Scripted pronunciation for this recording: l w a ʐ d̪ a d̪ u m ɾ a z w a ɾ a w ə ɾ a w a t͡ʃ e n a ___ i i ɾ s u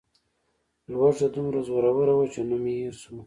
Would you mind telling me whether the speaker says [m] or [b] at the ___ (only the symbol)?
m